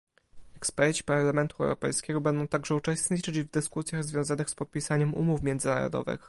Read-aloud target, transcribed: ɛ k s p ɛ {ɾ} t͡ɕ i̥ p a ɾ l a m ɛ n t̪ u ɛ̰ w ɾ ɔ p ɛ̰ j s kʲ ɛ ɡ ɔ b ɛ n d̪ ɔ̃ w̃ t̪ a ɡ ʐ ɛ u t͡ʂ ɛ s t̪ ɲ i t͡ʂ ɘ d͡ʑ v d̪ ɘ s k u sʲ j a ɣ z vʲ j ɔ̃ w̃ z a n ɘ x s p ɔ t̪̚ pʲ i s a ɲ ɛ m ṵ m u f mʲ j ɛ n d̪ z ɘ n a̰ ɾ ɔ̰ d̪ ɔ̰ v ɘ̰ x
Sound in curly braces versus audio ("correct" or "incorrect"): correct